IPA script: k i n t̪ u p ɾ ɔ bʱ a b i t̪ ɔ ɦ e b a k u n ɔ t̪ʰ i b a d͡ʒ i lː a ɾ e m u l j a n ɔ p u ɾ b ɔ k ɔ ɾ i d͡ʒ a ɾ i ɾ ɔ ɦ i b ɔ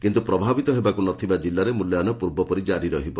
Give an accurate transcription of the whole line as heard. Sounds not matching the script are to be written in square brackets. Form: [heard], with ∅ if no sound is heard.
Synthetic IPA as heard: k i n t̪ u p ɾ ɔ bʱ a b i t̪ ɔ ɦ e b a k u n ɔ t̪ʰ i b a d͡ʒ i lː a ɾ e m u l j a n ɔ p u ɾ b ɔ [p] ɔ ɾ i d͡ʒ a ɾ i ɾ ɔ ɦ i b ɔ

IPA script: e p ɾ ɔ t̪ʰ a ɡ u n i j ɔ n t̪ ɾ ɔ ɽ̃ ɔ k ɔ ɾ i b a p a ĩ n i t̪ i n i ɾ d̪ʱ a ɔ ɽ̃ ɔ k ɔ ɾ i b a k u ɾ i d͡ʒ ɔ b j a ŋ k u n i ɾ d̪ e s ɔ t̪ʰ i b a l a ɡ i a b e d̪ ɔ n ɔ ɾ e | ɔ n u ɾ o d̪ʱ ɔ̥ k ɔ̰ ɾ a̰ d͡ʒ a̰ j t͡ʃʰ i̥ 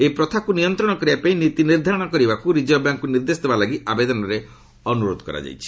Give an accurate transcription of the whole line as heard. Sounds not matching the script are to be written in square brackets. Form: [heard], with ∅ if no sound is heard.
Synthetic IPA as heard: e p ɾ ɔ t̪ʰ a [k] u n i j ɔ n t̪ ɾ ɔ ɽ̃ ɔ k ɔ ɾ i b a p a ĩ n i t̪ i n i ɾ d̪ʱ a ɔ ɽ̃ ɔ k ɔ ɾ i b a k u ɾ i d͡ʒ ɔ b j a ŋ k u n i ɾ d̪ e s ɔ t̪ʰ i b a l a ɡ i a b e d̪ ɔ n ɔ ɾ e | ɔ n u ɾ o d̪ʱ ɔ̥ k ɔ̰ ɾ a̰ d͡ʒ a̰ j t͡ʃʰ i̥

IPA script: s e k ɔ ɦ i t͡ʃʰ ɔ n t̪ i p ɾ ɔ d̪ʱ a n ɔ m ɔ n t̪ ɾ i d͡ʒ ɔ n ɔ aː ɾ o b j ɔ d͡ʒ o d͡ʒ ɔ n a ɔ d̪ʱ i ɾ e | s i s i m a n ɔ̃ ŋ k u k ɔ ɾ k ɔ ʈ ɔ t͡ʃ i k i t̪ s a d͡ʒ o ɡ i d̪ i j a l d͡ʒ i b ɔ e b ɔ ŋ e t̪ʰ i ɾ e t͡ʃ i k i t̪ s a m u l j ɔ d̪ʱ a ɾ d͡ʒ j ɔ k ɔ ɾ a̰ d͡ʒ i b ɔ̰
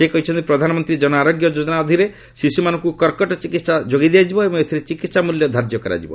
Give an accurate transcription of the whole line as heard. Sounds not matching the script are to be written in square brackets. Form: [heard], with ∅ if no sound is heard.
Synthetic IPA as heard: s e k ɔ ɦ i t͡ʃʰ ɔ n t̪ i p ɾ ɔ d̪ʱ a n ɔ m ɔ n t̪ ɾ i d͡ʒ ɔ n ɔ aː ɾ o [ɡ] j ɔ d͡ʒ o d͡ʒ ɔ n a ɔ d̪ʱ i ɾ e | s i s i m a n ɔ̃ ŋ k u k ɔ ɾ k ɔ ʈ ɔ t͡ʃ i k i t̪ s a d͡ʒ o ɡ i d̪ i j a [∅] d͡ʒ i b ɔ e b ɔ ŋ e t̪ʰ i ɾ e t͡ʃ i k i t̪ s a m u l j ɔ d̪ʱ a ɾ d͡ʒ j ɔ k ɔ ɾ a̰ d͡ʒ i b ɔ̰

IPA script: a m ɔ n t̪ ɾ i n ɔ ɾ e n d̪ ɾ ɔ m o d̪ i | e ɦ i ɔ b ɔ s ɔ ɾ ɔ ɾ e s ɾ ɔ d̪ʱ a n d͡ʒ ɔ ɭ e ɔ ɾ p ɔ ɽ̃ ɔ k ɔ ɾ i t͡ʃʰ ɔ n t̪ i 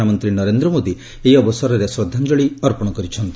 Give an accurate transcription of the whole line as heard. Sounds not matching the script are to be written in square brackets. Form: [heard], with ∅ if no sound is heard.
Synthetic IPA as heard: a m ɔ n t̪ ɾ i n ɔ ɾ e n d̪ ɾ ɔ m o d̪ i | e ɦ i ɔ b ɔ s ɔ ɾ ɔ ɾ e s ɾ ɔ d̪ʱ a n d͡ʒ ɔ ɭ [i] ɔ ɾ p ɔ ɽ̃ ɔ k ɔ ɾ i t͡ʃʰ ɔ n t̪ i

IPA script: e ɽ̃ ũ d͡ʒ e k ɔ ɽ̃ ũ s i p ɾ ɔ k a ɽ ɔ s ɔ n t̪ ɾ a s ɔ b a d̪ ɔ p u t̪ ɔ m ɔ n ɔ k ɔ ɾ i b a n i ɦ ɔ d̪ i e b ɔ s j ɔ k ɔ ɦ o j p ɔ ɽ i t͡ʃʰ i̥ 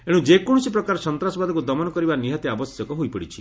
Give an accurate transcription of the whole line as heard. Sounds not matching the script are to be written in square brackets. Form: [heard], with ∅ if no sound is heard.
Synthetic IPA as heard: e ɽ̃ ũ d͡ʒ e k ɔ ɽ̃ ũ s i p ɾ ɔ k a [ɾ] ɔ s ɔ n t̪ ɾ a s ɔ b a d̪ ɔ [k] u [d̪] ɔ m ɔ n ɔ k ɔ ɾ i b a n i ɦ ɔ [t̪] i [a] b ɔ s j ɔ k ɔ ɦ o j p ɔ ɽ i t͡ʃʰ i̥

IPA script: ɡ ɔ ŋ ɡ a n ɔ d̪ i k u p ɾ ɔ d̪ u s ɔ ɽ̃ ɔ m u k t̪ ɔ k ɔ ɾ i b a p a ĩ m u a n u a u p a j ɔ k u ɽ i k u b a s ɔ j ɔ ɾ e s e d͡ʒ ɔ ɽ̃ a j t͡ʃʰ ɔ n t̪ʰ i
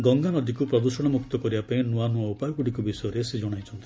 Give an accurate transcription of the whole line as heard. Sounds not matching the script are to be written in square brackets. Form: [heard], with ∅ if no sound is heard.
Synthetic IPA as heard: ɡ ɔ ŋ ɡ a n ɔ d̪ i k u p ɾ ɔ d̪ u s ɔ ɽ̃ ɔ m u k t̪ ɔ k ɔ ɾ i b a p a ĩ [n] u a n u a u p a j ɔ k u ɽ i k u b [i] s ɔ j ɔ ɾ e s e d͡ʒ ɔ ɽ̃ a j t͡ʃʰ ɔ n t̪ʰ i

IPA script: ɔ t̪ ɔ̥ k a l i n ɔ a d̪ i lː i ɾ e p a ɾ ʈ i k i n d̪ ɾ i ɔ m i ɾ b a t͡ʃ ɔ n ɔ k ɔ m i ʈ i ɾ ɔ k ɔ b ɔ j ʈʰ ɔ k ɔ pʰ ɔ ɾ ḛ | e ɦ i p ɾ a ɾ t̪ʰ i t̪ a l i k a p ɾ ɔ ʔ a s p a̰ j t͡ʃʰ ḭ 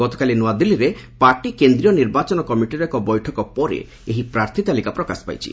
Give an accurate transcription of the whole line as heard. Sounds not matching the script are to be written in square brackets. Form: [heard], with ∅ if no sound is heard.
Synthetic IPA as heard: ɔ t̪ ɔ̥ k a l i n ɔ a d̪ i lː i ɾ e p a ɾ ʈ i k [e] n d̪ ɾ i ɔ [n] i ɾ b a t͡ʃ ɔ n ɔ k ɔ m i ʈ i ɾ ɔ k ɔ b ɔ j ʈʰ ɔ k ɔ [p] ɔ ɾ ḛ | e ɦ i p ɾ a ɾ t̪ʰ i t̪ a l i k a p ɾ ɔ [k] a s p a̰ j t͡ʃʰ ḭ

